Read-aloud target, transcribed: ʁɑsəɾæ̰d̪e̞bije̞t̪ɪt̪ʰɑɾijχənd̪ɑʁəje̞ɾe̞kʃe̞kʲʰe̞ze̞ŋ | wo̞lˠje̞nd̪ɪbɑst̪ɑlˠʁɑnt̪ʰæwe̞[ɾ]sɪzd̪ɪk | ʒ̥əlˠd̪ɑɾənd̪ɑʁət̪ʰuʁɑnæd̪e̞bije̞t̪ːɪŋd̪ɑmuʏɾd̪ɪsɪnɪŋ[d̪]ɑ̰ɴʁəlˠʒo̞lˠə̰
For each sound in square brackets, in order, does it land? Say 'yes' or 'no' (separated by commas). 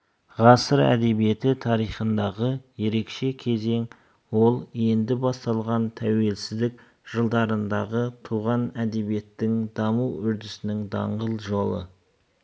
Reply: no, yes